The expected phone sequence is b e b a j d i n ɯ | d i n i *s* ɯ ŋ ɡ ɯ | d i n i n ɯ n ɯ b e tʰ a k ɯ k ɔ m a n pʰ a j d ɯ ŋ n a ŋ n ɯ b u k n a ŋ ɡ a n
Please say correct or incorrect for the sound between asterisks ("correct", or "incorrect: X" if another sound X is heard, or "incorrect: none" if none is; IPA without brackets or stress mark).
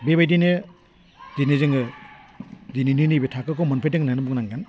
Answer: incorrect: z